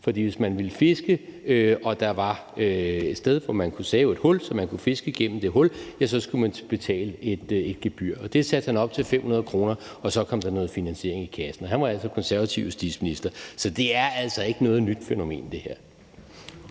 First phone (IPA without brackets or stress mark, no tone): f